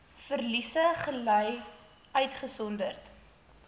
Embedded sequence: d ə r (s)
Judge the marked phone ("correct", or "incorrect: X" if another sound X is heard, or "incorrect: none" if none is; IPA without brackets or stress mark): incorrect: t